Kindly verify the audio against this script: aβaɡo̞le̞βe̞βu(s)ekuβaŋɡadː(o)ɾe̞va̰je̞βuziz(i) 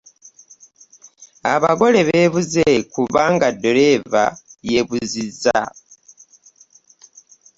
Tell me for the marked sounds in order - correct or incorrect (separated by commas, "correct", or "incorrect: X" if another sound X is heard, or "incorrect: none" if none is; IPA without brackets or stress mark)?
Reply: incorrect: z, correct, incorrect: a